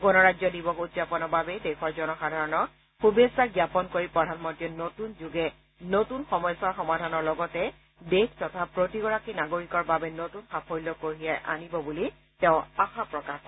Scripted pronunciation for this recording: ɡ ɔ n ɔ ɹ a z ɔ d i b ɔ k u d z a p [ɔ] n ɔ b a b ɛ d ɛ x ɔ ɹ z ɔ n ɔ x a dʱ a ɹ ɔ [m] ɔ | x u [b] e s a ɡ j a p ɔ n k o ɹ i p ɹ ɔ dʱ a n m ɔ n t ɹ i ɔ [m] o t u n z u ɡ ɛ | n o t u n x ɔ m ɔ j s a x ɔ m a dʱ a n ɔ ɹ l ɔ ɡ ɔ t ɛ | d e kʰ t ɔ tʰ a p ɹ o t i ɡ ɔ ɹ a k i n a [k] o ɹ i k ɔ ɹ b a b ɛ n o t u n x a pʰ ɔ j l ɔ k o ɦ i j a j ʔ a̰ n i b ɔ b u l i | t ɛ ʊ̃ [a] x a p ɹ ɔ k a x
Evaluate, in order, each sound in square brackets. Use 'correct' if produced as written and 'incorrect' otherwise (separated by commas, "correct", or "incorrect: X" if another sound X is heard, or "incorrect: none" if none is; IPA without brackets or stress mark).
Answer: correct, incorrect: n, correct, incorrect: n, incorrect: ɡ, correct